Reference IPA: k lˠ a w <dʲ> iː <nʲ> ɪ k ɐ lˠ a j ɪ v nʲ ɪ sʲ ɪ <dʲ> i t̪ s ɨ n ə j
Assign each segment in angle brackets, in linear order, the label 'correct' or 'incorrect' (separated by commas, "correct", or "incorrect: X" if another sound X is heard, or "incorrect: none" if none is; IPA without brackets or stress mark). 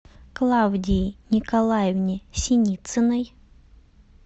correct, correct, incorrect: nʲ